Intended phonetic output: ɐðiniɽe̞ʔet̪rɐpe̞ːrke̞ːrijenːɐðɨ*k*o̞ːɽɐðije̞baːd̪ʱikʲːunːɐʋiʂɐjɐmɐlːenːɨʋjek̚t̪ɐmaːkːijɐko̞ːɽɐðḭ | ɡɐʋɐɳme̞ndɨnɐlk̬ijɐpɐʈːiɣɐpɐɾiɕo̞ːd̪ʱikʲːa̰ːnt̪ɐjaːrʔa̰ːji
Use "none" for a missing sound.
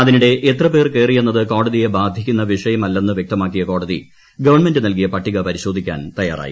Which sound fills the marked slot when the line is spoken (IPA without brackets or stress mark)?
k